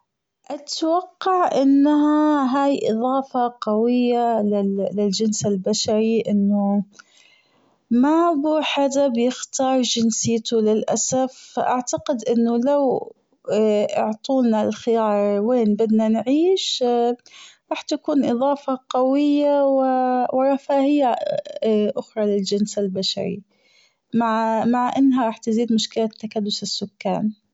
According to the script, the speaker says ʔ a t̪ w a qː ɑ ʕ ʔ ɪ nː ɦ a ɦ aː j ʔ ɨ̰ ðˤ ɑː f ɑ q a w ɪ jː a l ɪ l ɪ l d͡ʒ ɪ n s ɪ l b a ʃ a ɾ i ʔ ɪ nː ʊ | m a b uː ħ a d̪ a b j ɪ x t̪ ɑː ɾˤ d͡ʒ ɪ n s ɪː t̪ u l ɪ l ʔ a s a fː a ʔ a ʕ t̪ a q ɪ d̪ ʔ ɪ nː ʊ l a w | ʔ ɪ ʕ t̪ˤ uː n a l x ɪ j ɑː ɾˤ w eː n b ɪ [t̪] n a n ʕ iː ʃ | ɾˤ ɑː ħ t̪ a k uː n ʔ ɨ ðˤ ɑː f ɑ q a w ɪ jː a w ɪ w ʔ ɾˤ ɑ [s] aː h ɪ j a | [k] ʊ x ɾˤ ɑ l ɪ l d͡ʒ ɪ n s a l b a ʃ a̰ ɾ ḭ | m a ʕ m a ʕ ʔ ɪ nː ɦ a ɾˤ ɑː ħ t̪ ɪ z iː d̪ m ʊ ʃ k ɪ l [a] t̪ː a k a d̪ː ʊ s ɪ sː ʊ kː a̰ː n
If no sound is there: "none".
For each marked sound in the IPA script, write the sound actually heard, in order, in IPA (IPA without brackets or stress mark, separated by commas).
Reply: d̪, f, ʔ, a